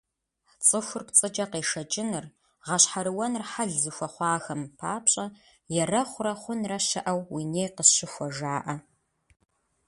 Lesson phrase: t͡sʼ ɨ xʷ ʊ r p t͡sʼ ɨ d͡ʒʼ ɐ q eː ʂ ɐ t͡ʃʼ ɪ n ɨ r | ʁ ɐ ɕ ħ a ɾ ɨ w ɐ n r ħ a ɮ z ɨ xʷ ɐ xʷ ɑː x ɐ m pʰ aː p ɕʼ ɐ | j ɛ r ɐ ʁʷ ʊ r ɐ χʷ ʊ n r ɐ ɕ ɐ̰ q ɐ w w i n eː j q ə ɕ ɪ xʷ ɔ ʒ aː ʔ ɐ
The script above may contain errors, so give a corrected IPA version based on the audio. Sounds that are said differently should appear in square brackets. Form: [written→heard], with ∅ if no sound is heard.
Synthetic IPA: t͡sʼ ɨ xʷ ʊ r p t͡sʼ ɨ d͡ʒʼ ɐ q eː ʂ ɐ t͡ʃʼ ɪ n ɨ r | ʁ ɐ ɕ ħ a ɾ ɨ w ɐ n r ħ a ɮ z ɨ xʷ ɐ [xʷ→χʷ] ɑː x ɐ m pʰ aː p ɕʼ ɐ | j ɛ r ɐ [ʁʷ→χʷ] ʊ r ɐ χʷ ʊ n r ɐ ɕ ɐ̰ [q→ʔ] ɐ w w i n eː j q ə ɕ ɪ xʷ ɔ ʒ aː ʔ ɐ